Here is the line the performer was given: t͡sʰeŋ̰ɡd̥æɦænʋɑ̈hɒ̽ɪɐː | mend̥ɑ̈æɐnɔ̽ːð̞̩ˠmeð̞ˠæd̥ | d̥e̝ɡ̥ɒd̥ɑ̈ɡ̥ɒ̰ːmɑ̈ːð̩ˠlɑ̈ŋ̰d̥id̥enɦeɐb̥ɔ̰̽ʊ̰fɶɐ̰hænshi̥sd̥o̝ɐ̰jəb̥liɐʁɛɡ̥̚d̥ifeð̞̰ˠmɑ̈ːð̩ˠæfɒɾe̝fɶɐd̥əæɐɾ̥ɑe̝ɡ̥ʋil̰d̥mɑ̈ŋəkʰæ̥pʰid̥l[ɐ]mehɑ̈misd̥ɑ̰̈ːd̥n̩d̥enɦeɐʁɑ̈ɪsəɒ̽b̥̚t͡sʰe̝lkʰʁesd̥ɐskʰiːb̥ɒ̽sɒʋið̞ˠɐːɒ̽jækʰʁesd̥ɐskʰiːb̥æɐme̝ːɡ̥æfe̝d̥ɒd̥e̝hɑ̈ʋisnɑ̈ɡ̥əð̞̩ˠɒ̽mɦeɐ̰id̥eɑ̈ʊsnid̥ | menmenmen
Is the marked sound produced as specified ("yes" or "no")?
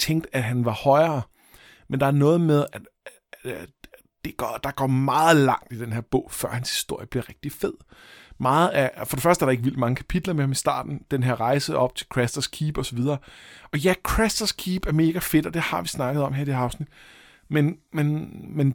yes